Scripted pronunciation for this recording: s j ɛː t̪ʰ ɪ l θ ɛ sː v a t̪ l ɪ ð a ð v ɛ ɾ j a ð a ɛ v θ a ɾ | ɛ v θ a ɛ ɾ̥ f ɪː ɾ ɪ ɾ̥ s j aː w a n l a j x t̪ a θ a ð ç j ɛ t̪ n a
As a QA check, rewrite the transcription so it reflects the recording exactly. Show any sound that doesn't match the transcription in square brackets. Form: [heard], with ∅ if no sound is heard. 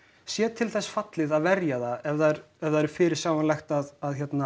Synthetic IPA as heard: s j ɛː t̪ʰ ɪ l θ ɛ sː [f] a t̪ l ɪ ð a ð v ɛ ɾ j a ð a ɛ v [ð] a ɾ | ɛ v [ð] a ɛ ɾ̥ f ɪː ɾ ɪ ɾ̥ s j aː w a n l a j x t̪ a [ð] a ð ç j ɛ t̪ n a